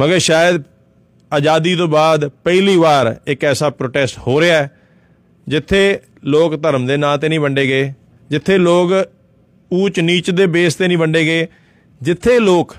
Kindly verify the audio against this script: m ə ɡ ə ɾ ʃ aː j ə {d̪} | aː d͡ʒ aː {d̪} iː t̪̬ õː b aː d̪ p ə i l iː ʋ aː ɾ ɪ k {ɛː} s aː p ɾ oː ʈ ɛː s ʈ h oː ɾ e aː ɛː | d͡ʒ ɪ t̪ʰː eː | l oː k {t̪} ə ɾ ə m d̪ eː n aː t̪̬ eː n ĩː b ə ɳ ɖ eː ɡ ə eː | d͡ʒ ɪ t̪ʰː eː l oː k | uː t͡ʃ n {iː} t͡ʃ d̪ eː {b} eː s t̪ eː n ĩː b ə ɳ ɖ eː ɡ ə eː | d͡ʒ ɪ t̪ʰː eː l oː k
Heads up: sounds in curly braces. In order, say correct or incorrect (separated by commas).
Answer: correct, correct, correct, correct, correct, correct